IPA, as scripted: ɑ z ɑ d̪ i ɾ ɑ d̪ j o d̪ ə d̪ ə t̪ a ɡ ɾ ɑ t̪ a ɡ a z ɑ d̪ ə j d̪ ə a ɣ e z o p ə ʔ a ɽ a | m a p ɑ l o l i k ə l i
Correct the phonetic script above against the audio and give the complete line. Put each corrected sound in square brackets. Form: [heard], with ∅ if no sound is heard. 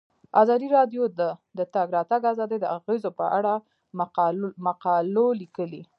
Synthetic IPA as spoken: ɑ z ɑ d̪ i ɾ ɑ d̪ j o d̪ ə d̪ ə t̪ a ɡ ɾ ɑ t̪ a ɡ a z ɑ d̪ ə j d̪ ə a ɣ e z o p ə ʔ a ɽ a | m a [q] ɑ l o l i k ə l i